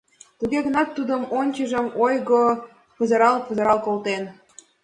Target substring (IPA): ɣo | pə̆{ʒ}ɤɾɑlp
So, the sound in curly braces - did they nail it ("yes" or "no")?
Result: no